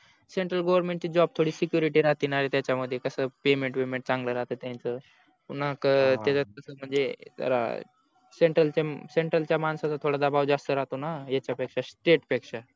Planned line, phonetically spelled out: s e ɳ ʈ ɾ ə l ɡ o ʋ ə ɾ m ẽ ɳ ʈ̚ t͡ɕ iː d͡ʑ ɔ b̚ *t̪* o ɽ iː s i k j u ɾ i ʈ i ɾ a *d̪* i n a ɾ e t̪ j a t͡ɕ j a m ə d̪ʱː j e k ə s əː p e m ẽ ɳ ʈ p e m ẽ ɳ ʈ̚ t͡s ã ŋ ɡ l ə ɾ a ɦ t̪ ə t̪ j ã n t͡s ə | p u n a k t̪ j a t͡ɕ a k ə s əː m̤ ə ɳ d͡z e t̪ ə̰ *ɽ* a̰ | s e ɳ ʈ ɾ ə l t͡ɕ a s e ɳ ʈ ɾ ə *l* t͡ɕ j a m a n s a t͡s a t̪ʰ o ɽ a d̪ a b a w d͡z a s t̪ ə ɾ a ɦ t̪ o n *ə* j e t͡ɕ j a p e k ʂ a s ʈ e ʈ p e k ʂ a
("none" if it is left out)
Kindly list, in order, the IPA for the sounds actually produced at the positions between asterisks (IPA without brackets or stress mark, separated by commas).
t̪ʰ, t̪, ɾ, l, a